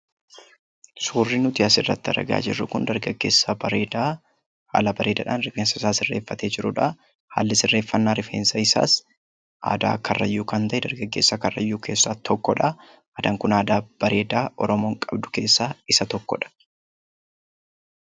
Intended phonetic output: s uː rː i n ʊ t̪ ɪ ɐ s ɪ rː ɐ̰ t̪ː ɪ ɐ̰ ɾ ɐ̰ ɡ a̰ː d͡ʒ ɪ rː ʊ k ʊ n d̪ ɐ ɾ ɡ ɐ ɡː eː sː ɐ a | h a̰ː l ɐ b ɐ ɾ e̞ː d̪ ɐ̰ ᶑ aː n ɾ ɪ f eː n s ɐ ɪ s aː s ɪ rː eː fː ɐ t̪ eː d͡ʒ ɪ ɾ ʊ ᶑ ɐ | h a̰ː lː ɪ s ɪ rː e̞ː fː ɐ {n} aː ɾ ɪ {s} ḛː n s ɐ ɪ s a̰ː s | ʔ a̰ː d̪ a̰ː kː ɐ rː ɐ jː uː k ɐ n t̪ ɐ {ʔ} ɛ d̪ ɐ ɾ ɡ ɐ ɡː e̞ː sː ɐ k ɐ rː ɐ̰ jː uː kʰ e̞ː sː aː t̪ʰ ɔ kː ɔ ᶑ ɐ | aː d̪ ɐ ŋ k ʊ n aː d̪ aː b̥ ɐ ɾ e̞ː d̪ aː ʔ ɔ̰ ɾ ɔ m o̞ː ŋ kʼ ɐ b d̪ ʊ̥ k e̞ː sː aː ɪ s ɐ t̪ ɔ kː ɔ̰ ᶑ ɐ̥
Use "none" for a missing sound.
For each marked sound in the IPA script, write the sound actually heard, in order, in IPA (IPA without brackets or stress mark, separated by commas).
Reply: nː, f, ʔ